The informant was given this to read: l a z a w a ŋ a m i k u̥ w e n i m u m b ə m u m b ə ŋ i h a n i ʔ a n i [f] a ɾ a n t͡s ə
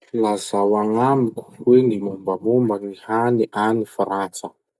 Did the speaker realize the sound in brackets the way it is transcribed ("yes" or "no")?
yes